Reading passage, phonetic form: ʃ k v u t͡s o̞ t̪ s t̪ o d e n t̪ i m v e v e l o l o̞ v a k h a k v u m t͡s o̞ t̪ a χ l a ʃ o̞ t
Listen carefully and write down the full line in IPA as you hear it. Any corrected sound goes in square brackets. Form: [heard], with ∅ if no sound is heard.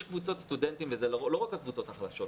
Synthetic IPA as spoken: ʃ k v u t͡s o̞ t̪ s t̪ [u] d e n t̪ i m v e [z] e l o l o̞ [ʁ] a k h a k v u [∅] t͡s o̞ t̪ a χ l a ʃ o̞ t